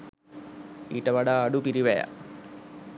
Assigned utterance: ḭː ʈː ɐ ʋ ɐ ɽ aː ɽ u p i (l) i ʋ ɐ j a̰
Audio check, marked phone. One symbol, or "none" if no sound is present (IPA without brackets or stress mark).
ɾ